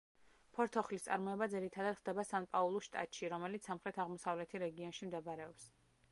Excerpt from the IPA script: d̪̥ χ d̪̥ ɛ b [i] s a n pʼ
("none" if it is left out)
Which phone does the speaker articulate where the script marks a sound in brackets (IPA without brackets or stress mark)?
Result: a